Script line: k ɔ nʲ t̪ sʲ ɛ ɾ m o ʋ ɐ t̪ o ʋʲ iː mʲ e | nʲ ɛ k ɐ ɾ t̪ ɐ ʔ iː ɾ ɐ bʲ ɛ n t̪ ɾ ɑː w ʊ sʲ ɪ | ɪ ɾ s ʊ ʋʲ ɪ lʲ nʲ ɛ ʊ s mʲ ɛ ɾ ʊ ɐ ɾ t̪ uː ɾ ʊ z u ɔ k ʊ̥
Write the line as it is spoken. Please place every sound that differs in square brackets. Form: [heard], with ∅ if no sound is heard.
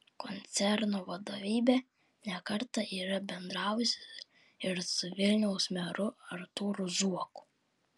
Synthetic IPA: k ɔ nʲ t̪ sʲ ɛ ɾ [n] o ʋ ɐ [d̪] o ʋʲ iː [bʲ] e | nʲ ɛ k ɐ ɾ t̪ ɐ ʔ iː ɾ ɐ bʲ ɛ n [d̪] ɾ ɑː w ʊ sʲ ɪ | ɪ ɾ s ʊ ʋʲ ɪ lʲ nʲ ɛ ʊ s mʲ ɛ ɾ ʊ ɐ ɾ t̪ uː ɾ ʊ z u ɔ k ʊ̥